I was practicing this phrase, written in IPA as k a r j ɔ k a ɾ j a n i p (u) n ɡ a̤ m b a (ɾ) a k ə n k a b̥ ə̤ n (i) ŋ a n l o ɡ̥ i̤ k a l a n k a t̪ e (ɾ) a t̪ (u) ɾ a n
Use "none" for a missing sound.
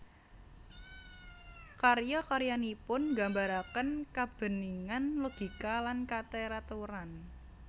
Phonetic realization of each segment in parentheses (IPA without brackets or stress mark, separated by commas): ʊ, ɾ, i, ɾ, u